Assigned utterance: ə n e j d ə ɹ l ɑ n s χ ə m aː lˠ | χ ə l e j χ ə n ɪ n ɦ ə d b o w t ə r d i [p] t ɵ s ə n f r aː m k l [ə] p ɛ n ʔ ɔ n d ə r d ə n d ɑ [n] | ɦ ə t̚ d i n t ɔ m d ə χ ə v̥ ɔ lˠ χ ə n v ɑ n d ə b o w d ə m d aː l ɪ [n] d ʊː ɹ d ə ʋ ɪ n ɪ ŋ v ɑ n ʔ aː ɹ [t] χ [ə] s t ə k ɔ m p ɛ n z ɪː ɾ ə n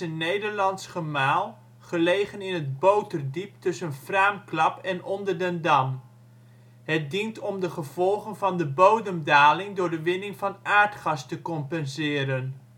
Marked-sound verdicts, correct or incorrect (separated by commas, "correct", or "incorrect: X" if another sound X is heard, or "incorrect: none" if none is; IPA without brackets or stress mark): correct, incorrect: ɑ, incorrect: m, incorrect: ŋ, correct, incorrect: ɑ